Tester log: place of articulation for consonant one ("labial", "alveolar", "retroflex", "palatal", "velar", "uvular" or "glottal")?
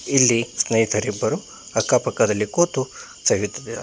alveolar